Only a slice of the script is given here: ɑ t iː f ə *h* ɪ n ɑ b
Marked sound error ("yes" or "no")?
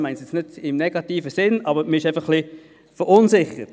yes